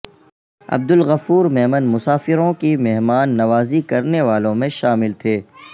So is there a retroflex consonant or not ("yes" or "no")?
no